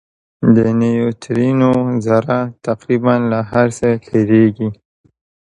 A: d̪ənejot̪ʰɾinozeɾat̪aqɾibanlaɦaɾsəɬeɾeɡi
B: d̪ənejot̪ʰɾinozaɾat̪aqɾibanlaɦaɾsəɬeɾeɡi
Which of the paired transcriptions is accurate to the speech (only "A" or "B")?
B